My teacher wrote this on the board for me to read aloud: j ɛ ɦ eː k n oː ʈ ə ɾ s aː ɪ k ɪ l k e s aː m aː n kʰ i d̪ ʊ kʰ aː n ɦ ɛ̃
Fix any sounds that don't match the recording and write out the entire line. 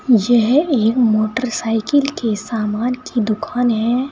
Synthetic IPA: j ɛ ɦ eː k m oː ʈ ə ɾ s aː ɪ k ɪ l k e s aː m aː n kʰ i d̪ ʊ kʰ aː n ɦ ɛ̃